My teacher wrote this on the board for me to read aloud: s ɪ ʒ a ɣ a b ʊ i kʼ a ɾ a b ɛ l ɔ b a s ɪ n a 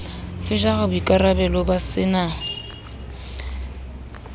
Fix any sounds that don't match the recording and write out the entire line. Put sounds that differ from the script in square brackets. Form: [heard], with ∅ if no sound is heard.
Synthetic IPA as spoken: s ɪ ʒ a ɣ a b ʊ i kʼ a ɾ a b ɛ l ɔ b a s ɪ n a